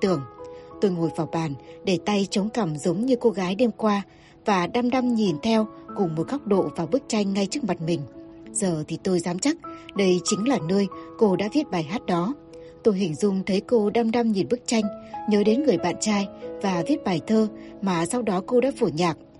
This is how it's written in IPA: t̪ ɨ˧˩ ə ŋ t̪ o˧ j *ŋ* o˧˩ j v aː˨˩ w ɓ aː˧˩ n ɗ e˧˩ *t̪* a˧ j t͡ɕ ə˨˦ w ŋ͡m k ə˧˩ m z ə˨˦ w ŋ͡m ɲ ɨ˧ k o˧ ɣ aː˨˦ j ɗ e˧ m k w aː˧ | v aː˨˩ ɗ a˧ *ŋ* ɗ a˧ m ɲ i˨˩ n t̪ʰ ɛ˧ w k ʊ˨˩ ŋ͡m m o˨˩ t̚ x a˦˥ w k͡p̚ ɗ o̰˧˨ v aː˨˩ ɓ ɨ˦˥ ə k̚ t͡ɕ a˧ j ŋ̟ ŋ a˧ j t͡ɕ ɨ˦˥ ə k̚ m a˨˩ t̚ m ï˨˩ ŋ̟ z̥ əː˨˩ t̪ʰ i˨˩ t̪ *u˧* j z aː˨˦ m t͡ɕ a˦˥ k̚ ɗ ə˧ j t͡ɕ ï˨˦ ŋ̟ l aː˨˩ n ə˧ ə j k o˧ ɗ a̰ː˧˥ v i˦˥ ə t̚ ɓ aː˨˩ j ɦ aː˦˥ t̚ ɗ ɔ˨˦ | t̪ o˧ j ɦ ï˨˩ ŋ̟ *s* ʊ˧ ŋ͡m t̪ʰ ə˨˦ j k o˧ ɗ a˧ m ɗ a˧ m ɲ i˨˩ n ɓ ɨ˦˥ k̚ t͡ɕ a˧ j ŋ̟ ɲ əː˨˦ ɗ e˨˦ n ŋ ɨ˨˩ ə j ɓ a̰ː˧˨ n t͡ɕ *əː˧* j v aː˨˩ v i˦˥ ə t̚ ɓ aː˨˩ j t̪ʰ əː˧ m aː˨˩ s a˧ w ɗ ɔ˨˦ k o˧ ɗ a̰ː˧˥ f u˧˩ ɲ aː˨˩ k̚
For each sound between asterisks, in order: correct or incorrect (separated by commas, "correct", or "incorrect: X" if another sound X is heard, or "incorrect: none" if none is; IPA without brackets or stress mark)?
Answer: correct, correct, incorrect: m, incorrect: o˧, incorrect: z, incorrect: aː˧